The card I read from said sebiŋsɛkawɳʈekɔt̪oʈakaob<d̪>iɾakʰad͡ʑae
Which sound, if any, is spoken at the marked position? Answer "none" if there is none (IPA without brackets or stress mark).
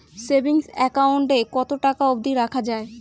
d̪